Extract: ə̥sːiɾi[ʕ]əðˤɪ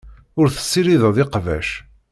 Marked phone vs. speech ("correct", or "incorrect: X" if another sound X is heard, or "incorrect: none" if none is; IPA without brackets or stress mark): incorrect: ð